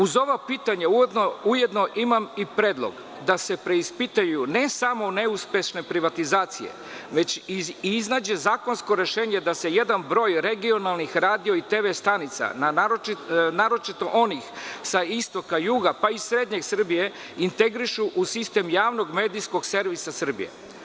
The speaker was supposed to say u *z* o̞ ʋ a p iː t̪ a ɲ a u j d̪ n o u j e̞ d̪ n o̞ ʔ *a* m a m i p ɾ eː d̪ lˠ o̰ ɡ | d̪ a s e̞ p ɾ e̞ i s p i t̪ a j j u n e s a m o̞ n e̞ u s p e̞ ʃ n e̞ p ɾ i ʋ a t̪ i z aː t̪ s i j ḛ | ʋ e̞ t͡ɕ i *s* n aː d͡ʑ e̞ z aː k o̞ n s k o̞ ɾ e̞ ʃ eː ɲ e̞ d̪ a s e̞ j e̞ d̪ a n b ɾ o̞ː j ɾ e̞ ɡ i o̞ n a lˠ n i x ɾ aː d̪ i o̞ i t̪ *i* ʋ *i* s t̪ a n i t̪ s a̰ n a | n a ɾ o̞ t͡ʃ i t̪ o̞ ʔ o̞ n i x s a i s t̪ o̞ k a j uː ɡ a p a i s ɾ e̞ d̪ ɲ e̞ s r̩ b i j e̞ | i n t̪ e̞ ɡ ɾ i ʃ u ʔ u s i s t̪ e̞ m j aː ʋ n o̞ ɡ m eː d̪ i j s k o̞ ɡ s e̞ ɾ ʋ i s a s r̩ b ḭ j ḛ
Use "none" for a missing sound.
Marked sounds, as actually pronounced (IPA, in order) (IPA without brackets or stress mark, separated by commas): z, i, z, e, e